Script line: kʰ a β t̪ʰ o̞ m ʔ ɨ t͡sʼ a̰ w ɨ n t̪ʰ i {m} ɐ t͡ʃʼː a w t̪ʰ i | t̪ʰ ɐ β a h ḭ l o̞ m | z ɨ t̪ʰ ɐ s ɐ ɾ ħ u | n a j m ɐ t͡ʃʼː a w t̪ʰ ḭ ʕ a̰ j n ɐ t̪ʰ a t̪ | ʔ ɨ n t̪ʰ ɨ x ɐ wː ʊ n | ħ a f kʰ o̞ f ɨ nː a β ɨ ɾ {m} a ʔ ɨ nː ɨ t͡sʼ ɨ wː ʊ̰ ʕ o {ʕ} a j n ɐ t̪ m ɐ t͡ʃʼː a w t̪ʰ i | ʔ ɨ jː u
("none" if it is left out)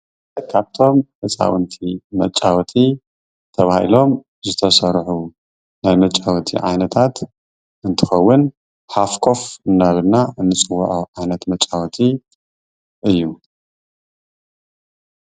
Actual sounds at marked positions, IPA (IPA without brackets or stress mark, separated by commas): m, n, ʕ